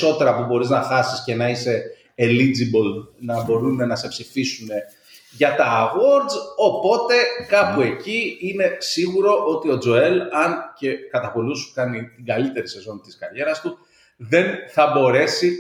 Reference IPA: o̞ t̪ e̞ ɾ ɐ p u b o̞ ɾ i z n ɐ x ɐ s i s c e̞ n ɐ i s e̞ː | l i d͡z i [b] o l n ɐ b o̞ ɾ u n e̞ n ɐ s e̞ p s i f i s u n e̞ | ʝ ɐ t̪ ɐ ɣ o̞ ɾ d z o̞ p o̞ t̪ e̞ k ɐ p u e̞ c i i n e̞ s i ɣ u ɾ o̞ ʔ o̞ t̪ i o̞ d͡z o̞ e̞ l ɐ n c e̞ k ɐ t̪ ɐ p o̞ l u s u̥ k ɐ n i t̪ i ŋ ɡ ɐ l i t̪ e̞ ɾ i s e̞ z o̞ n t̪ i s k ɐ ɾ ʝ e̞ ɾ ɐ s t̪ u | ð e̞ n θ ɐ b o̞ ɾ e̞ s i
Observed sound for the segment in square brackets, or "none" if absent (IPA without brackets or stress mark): b